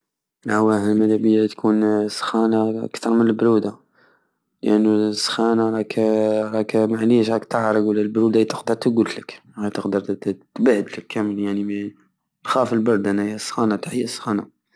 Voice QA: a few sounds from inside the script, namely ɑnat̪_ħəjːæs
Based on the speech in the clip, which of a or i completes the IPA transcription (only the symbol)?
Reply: a